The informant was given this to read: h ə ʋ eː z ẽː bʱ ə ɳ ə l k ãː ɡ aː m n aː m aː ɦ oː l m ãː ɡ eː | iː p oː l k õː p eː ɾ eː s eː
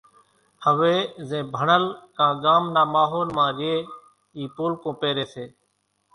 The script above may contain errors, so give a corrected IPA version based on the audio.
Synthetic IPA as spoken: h ə ʋ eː z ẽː bʱ ə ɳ ə l k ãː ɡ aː m n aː m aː ɦ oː l m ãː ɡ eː | iː p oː l k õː p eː ɾ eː s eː